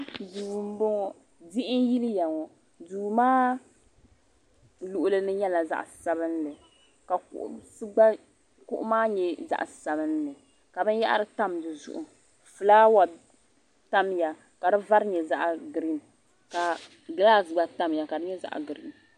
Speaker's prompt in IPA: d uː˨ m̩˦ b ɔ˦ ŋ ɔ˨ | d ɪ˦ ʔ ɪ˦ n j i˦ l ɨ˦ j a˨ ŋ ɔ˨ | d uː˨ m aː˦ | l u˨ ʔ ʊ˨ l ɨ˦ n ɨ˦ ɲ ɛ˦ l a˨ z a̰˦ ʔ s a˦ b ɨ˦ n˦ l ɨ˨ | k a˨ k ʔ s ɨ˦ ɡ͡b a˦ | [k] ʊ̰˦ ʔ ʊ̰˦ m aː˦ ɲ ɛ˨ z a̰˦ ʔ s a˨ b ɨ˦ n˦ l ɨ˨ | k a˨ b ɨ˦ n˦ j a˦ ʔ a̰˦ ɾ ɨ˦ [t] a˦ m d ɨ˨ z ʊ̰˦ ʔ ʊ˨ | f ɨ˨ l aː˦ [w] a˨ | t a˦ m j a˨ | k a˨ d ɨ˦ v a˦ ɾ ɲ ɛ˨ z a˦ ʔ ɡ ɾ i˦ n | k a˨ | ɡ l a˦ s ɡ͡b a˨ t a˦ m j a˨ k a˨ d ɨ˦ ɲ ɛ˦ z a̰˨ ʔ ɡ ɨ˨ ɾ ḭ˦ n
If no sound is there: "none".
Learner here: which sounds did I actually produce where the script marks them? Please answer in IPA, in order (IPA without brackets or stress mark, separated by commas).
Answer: k, t, w